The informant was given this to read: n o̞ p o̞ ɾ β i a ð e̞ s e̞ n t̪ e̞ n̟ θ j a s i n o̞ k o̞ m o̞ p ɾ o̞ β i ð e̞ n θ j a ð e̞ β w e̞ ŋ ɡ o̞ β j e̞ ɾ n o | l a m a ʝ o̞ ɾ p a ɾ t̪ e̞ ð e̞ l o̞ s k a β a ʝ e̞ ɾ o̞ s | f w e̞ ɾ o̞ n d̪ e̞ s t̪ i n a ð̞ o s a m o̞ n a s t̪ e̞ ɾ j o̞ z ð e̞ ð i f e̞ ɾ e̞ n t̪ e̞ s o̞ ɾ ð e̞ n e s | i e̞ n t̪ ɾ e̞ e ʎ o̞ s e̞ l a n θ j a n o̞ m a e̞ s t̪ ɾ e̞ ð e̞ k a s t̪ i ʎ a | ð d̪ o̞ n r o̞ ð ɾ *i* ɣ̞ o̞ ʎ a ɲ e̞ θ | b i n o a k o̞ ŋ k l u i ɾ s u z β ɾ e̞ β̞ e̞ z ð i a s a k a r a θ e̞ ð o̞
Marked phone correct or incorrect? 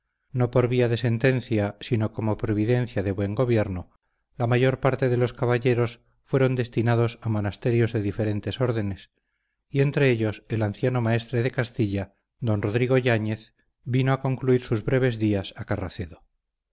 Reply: correct